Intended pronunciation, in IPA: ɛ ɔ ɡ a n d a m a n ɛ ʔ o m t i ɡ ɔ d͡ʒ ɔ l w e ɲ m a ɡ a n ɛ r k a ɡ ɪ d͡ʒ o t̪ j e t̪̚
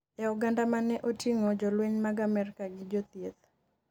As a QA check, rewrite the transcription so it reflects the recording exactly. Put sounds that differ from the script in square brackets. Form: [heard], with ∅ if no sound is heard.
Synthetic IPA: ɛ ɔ ɡ a n d a m a n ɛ ʔ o [∅] t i [ŋ] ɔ d͡ʒ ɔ l w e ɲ m a ɡ a [m] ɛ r k a ɡ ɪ d͡ʒ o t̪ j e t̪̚